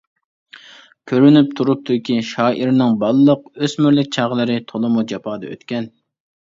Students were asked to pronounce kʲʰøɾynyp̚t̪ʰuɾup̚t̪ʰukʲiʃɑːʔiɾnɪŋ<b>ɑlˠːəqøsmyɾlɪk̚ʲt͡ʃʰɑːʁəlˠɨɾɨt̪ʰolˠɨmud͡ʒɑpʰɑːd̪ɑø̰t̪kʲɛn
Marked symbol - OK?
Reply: yes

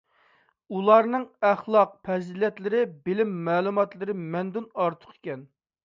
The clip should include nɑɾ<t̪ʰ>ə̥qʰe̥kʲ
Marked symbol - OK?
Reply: yes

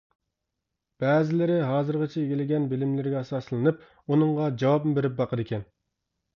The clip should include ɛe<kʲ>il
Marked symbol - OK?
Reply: no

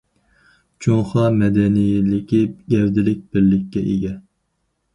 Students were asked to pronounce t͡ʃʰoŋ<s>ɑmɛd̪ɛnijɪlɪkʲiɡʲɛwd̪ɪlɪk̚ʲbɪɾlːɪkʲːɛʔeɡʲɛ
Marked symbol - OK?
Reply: no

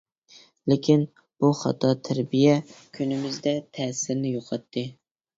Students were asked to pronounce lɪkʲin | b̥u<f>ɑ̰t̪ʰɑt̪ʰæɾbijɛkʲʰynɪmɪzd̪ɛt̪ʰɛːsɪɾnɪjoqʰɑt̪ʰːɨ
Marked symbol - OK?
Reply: no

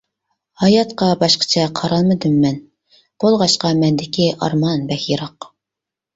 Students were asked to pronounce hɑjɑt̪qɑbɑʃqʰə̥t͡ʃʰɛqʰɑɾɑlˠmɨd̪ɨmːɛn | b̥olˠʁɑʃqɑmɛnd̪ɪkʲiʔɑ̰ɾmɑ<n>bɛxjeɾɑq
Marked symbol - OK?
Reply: yes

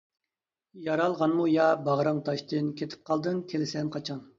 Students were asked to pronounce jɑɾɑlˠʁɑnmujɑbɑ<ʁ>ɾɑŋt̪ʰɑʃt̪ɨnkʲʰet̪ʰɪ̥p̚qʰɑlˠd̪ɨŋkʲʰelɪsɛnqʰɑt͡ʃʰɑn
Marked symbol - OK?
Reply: yes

